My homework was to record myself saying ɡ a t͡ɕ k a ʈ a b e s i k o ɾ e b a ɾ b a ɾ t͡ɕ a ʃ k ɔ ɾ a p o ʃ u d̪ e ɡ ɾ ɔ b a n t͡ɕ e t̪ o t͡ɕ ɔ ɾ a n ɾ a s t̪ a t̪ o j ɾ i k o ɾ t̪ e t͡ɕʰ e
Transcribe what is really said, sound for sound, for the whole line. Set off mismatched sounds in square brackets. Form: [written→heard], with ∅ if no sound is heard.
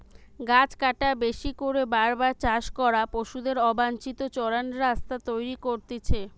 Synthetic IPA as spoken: ɡ a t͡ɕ k a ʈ a b e [s→ʃ] i k o ɾ e b a ɾ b a ɾ t͡ɕ a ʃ k ɔ ɾ a p o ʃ u d̪ e [ɡ→∅] ɾ ɔ b a n t͡ɕ [e→i] t̪ o t͡ɕ ɔ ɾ a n ɾ a s t̪ a t̪ o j ɾ i k o ɾ t̪ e t͡ɕʰ e